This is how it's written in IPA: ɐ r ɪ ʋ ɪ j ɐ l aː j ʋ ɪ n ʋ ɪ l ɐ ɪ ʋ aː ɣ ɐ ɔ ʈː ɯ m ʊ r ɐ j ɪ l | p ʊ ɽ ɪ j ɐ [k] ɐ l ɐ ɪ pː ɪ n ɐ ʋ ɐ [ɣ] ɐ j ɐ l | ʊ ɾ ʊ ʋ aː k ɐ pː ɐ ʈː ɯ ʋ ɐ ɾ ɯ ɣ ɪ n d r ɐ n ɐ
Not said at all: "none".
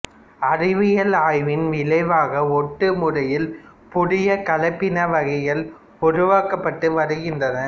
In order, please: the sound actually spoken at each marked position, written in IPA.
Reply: k, ɣ

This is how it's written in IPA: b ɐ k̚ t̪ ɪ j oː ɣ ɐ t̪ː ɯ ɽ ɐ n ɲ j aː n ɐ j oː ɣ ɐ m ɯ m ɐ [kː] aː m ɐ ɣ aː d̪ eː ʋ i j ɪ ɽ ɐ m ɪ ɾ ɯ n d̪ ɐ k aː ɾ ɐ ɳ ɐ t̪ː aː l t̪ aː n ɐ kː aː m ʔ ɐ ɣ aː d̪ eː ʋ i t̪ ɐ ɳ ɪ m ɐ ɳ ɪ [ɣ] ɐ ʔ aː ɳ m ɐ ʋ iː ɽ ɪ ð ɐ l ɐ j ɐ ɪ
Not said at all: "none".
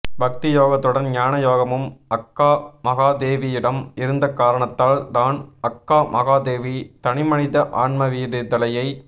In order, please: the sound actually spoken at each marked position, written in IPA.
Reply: kː, ð

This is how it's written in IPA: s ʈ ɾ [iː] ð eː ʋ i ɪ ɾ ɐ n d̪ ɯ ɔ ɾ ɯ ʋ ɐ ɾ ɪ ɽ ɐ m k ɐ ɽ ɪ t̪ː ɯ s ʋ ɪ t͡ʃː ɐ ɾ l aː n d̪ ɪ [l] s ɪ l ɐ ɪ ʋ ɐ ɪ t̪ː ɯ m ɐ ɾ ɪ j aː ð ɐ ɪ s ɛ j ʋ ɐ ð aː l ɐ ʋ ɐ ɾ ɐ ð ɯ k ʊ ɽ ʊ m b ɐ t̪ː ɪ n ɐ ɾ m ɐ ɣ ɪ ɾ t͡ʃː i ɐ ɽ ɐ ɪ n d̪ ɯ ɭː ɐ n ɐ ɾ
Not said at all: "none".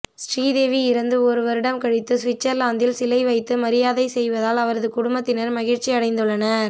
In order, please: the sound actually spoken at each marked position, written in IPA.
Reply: iː, l

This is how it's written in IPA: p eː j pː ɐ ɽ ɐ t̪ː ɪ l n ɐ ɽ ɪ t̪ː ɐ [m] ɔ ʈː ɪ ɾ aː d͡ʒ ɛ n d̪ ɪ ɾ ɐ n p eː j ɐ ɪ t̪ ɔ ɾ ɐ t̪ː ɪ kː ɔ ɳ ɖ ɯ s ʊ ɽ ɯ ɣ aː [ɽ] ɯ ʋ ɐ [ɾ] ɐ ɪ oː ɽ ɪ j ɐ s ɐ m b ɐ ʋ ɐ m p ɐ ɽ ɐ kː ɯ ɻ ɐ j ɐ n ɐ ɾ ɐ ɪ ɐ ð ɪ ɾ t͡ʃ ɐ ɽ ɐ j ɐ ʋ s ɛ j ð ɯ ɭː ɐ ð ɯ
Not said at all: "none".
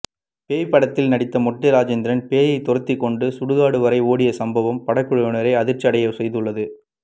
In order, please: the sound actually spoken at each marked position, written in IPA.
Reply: m, ɽ, ɾ

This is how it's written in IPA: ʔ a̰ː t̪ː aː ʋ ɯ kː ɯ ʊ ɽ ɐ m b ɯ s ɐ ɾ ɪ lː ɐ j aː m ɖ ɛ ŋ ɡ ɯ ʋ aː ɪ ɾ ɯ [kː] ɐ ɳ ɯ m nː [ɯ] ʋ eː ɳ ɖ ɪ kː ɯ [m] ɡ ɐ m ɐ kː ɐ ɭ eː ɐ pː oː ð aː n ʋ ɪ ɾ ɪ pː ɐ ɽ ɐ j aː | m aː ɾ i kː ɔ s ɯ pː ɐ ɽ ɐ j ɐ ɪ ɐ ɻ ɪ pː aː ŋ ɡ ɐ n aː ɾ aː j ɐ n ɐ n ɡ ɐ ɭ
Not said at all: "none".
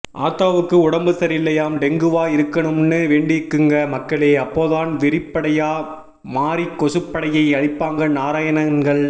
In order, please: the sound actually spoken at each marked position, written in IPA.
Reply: kː, ɯ, ŋ

